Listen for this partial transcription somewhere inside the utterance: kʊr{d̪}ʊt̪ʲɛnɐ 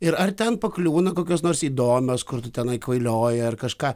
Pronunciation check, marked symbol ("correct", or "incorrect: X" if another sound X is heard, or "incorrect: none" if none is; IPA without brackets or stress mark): incorrect: t̪